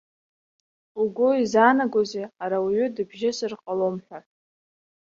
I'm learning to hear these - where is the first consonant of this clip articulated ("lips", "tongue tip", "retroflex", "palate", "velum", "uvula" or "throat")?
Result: velum